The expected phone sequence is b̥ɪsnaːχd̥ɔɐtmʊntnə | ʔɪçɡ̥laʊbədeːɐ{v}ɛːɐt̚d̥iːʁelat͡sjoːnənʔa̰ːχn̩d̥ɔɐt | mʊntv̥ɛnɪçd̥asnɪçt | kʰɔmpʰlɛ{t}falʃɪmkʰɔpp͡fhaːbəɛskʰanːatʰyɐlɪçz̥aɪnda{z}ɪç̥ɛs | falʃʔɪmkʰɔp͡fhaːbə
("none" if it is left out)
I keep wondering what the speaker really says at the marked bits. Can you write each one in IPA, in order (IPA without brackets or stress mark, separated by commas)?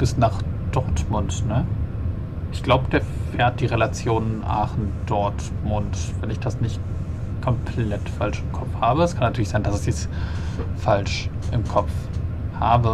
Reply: f, t, s